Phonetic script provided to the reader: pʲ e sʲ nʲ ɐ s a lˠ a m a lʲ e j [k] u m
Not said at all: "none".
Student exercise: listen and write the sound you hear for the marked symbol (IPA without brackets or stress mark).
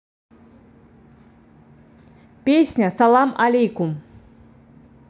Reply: k